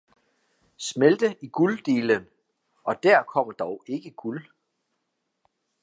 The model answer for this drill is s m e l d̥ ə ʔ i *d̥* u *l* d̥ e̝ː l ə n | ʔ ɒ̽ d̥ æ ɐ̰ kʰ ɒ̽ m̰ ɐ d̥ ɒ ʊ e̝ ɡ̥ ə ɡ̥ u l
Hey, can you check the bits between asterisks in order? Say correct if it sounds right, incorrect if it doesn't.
incorrect: ɡ̥, correct

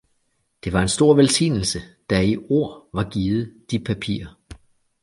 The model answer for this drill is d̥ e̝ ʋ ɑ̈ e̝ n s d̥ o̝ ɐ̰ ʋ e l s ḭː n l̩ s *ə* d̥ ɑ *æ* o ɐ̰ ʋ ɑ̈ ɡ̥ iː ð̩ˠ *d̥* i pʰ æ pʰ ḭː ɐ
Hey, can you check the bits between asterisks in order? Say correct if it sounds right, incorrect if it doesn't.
correct, incorrect: i, correct

